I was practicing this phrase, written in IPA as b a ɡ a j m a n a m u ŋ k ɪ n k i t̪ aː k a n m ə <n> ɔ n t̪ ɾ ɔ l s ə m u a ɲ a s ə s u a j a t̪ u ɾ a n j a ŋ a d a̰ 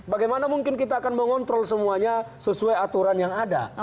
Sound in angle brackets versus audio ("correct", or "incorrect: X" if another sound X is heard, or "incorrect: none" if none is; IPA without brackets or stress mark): incorrect: ŋ